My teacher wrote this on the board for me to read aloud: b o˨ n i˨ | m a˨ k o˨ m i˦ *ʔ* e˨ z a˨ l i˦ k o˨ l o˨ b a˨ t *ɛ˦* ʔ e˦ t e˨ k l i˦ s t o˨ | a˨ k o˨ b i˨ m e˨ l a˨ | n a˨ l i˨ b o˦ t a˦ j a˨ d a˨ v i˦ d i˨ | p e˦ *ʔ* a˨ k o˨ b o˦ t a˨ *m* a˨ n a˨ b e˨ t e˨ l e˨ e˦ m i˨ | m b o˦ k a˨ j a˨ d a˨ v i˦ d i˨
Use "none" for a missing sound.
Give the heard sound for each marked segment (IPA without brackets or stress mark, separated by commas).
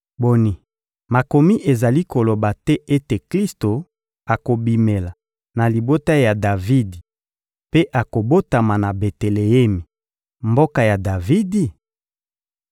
ʔ, ɛ˦, ʔ, m